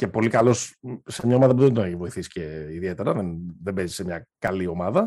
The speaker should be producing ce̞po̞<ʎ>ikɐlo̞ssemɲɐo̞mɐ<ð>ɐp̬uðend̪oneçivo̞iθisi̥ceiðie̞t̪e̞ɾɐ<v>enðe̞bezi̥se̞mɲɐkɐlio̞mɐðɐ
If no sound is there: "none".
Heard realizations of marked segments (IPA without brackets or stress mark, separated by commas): l, ð, ð